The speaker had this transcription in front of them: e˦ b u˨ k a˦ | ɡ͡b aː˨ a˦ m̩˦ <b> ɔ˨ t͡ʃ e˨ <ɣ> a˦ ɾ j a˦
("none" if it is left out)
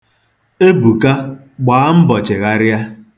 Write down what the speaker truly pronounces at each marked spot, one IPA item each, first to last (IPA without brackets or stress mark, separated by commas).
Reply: b, ɣ